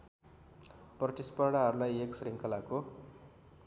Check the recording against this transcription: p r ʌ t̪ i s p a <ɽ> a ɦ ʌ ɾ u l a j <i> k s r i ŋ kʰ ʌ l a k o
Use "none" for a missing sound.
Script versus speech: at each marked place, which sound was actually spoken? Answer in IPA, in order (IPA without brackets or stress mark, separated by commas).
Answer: ɽ, e